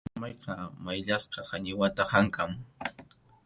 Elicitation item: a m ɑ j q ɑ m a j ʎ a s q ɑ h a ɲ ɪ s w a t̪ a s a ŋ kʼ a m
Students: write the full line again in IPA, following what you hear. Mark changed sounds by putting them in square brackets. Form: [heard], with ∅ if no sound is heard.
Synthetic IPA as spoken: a m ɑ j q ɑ m a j ʎ a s q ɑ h a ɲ ɪ [∅] w a t̪ a [h] a ŋ [k] a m